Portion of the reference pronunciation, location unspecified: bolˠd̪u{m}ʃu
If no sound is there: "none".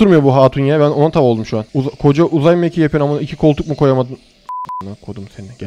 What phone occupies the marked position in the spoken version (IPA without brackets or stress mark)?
m